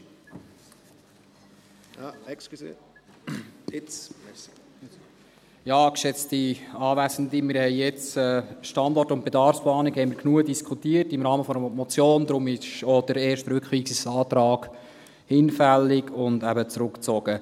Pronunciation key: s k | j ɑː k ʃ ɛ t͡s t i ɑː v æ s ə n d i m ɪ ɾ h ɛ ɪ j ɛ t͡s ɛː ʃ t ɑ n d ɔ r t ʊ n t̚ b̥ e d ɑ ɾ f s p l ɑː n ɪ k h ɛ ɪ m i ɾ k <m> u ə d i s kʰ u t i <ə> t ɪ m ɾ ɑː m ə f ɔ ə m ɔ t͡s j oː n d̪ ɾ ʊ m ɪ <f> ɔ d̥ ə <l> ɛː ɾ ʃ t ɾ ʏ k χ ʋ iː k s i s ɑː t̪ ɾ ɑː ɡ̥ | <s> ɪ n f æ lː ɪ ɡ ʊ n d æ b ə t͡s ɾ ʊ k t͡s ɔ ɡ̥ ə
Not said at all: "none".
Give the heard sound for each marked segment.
n, ə, ʃ, ɾ, h

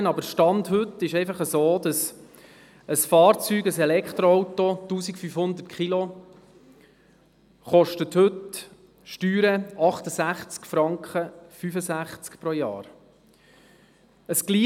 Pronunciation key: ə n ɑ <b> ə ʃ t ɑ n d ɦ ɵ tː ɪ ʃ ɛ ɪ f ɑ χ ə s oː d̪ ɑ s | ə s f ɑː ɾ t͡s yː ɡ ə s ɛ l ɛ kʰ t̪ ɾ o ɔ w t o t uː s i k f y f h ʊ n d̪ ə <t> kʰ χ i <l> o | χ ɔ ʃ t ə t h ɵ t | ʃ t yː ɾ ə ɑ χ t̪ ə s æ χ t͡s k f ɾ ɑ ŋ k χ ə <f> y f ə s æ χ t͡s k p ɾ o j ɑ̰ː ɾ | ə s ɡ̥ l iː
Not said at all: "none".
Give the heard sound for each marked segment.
b, t, l, f

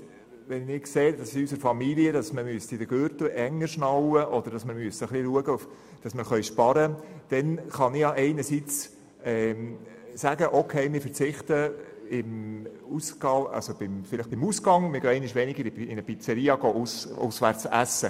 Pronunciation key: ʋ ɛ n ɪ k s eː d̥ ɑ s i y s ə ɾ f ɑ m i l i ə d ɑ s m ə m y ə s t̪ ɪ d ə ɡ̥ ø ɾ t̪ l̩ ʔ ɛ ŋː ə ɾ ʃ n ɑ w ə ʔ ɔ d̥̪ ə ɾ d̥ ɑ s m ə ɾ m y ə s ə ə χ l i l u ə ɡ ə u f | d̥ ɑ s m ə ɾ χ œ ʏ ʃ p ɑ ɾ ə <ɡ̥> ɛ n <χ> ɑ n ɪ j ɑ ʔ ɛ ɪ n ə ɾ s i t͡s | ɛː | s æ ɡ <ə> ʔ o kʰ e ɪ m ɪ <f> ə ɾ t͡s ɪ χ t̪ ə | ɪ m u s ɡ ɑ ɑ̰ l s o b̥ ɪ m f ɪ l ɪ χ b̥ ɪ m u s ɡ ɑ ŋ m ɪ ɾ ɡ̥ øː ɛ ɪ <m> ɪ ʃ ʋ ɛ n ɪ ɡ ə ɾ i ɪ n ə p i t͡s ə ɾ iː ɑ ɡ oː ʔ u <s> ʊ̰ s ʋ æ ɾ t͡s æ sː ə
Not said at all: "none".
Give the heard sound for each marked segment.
d̥, χ, ə, f, n, s

